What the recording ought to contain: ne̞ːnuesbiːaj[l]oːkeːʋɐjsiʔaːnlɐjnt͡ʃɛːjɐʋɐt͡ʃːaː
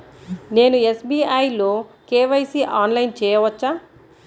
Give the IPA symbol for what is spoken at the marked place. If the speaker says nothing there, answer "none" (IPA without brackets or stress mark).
l